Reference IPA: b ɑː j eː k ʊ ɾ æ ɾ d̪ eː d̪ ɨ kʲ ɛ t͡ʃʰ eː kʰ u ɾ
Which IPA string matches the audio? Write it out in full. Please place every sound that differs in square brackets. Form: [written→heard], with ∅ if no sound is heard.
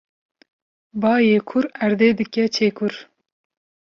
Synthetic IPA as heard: b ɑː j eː [k→kʰ] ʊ ɾ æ ɾ d̪ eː d̪ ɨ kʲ ɛ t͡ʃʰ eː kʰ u ɾ